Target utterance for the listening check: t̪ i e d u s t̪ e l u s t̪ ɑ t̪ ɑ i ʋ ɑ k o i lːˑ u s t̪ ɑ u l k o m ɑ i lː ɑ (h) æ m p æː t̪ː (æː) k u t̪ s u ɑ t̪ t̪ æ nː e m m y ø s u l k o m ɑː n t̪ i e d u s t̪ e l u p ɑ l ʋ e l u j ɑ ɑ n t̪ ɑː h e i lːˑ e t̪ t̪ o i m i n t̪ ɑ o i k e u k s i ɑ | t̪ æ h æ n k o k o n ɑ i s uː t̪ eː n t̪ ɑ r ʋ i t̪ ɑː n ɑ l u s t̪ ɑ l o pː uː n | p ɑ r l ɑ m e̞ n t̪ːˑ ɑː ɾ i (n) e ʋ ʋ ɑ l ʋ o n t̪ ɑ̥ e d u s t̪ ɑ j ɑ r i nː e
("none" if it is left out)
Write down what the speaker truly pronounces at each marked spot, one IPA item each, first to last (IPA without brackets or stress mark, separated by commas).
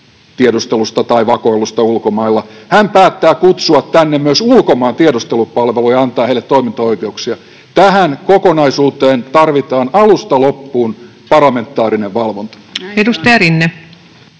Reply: h, æː, n